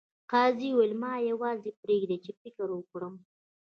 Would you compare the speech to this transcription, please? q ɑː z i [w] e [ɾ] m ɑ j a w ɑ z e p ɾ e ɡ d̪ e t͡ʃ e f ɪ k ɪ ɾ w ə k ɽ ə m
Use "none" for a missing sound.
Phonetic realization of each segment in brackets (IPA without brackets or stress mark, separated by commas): w, l